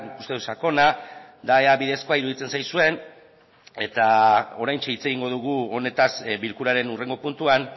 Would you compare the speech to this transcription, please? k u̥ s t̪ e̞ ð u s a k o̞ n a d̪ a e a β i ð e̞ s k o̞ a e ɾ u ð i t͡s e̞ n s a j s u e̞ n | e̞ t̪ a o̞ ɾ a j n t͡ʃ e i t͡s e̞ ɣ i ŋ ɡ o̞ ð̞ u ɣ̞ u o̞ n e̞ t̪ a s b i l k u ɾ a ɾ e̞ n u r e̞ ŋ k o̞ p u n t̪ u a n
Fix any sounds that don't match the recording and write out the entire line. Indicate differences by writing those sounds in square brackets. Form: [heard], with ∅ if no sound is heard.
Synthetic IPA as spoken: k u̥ s t̪ e̞ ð u s a k o̞ n a d̪ a e a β i ð e̞ s k o̞ a [i] ɾ u ð i t͡s e̞ n s a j s u e̞ n | e̞ t̪ a o̞ ɾ a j n t͡ʃ e i t͡s e̞ ɣ i ŋ ɡ o̞ ð̞ u ɣ̞ u o̞ n e̞ t̪ a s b i l k u ɾ a ɾ e̞ n u r e̞ ŋ [ɡ] o̞ p u n t̪ u a n